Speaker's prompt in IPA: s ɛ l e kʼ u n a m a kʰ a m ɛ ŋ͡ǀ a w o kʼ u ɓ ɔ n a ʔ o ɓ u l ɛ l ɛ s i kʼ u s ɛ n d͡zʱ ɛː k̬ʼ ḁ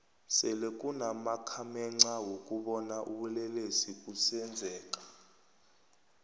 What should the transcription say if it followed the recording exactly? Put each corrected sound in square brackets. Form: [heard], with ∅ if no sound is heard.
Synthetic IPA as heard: s ɛ l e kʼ u n a m a kʰ a m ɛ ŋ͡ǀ a w o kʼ u ɓ ɔ n a ʔ [u] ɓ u l ɛ l [e] s i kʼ u s ɛ n d͡zʱ ɛː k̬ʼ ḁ